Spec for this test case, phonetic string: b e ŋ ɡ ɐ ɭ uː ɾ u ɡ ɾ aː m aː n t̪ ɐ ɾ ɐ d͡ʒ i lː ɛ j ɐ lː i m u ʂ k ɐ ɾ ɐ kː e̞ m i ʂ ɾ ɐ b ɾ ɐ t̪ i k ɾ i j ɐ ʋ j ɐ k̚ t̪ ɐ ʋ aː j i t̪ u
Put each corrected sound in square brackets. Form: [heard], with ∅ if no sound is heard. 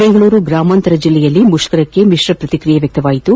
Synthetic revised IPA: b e ŋ ɡ ɐ ɭ uː ɾ u ɡ ɾ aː m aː n t̪ ɐ ɾ ɐ d͡ʒ i lː ɛ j ɐ lː i m u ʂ k ɐ ɾ ɐ kː e̞ m i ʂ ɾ ɐ [p] ɾ ɐ t̪ i k ɾ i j ɐ ʋ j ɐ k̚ t̪ ɐ ʋ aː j i t̪ u